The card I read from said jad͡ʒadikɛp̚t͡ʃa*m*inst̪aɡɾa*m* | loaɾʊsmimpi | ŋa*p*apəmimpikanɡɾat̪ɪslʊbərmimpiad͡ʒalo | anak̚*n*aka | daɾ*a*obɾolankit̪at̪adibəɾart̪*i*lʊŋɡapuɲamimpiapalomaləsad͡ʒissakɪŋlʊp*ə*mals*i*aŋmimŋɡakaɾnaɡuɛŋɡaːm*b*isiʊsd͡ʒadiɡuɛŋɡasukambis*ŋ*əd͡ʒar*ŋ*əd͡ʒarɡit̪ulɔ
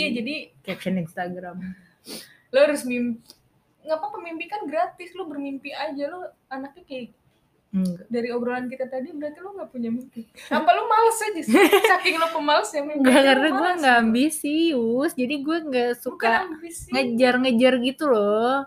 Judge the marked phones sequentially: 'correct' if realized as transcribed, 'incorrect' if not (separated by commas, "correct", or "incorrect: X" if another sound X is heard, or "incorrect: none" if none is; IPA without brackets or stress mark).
incorrect: n, correct, correct, incorrect: ɲ, incorrect: i, correct, correct, incorrect: j, correct, correct, correct